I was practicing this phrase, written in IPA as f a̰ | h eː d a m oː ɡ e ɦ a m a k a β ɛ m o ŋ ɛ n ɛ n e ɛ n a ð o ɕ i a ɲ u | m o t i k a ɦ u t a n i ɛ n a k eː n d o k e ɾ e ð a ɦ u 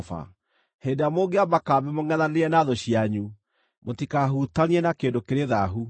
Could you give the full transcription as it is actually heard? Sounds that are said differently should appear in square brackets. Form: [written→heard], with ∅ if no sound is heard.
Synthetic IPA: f a̰ | h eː d a m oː ɡ e [ɦ→∅] a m a k a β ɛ m o ŋ ɛ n [ɛ→a] n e ɛ n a ð o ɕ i a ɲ u | m o t i k a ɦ u t a n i ɛ n a k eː n d o k e ɾ e ð a ɦ u